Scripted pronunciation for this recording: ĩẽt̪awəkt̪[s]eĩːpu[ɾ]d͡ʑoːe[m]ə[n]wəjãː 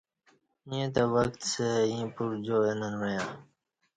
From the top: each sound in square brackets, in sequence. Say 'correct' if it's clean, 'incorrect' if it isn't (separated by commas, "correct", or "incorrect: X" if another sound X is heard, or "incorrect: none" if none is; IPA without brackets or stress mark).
correct, correct, incorrect: n, correct